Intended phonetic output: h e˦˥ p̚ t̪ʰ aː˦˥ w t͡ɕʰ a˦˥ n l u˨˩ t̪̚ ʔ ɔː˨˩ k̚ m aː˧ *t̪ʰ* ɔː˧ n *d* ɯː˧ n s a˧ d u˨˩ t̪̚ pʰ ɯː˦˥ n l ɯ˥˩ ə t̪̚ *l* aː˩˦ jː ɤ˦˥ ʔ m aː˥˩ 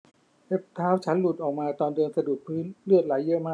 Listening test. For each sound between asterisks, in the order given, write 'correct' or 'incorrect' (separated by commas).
incorrect, correct, correct